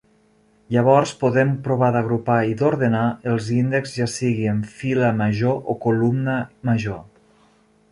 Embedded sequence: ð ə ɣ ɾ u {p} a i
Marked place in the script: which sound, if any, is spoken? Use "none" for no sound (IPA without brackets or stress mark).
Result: p